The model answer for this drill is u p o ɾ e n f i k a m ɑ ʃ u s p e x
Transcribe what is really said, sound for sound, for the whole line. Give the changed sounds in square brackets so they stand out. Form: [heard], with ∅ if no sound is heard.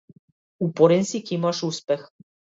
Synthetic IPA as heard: u p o ɾ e n [s] i k [i] m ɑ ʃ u s p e x